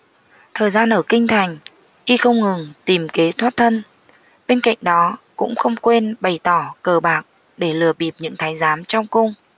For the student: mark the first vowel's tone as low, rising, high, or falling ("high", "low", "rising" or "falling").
low